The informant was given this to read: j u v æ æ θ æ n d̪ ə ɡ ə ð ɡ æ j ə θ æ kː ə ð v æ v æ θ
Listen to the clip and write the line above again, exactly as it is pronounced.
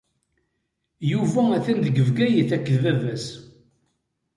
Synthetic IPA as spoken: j u v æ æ θ æ n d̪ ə ɡ ə v ɡ æ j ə θ æ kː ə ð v æ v æ s